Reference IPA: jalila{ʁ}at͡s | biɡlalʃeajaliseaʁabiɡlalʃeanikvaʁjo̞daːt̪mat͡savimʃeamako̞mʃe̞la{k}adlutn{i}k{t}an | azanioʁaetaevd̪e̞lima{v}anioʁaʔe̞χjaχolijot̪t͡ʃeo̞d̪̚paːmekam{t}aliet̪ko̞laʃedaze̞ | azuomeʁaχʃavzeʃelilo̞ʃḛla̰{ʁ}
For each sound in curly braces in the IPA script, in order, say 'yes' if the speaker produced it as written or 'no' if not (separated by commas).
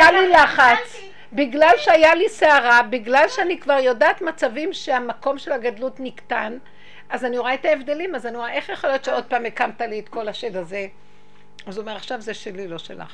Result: no, no, yes, yes, no, yes, no